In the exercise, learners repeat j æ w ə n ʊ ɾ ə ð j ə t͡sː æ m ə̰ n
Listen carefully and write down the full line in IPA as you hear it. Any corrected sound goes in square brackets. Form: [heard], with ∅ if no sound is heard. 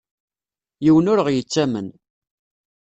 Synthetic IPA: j [i] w ə n ʊ ɾ ə [ʁ] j ə t͡sː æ m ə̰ n

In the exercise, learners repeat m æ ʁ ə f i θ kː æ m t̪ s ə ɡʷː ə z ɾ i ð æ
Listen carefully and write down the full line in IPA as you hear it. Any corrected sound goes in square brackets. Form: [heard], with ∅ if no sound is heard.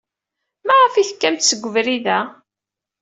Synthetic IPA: m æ ʁ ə f i θ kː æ m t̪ s ə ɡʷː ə [v] ɾ i ð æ

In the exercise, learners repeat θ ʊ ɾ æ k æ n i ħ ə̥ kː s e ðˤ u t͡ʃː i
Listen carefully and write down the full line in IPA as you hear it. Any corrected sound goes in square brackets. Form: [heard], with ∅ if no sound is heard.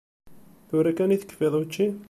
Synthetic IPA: θ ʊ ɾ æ k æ n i [θ] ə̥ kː [f] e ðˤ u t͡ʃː i

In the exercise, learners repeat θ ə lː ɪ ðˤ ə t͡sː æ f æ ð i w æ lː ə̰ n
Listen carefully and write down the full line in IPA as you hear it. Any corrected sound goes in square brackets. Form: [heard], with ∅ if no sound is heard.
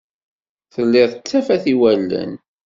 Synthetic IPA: θ ə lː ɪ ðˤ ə t͡sː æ f æ [θ] i w æ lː ə̰ n

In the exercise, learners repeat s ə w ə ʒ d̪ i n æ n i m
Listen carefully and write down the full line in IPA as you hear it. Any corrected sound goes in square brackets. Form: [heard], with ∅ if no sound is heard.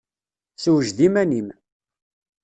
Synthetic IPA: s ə w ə ʒ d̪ i [m] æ n i m

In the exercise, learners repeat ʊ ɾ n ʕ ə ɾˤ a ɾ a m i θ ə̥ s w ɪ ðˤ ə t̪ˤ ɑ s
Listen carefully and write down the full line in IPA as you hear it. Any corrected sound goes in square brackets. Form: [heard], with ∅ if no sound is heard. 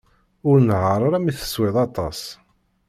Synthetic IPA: ʊ ɾ n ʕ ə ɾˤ a ɾ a m i θ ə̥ s w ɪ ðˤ [ɑ] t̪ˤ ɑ s

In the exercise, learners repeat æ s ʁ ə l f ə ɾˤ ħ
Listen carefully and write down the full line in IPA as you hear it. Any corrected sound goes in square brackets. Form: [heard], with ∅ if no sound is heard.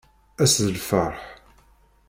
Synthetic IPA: æ s [ð] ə l f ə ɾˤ ħ

